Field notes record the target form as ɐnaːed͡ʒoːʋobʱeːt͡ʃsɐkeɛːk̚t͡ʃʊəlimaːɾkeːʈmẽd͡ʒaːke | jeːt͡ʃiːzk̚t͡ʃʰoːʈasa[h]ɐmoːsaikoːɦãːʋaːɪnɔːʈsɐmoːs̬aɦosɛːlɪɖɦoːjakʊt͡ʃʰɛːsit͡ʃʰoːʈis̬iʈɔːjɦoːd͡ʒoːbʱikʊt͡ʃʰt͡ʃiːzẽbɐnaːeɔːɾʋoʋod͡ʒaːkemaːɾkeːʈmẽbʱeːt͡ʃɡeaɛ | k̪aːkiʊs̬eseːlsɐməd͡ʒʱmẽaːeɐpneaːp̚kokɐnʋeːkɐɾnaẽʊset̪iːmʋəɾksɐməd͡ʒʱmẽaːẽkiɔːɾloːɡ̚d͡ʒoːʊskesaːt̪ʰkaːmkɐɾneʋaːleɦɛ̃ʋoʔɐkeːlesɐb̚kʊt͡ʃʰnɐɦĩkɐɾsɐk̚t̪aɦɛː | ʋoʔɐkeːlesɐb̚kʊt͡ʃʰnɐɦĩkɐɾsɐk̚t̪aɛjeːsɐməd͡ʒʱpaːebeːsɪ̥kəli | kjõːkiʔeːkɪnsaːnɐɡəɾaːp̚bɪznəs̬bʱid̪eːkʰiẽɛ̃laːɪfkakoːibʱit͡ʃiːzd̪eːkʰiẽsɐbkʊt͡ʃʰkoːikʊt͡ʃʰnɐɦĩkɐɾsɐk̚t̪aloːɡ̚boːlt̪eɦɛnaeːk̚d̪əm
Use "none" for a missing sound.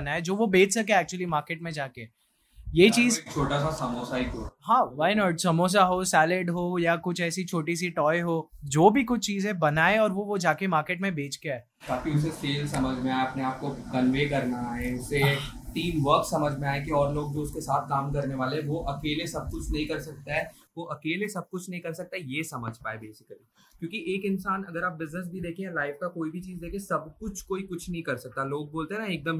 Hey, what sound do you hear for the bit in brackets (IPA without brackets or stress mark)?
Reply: s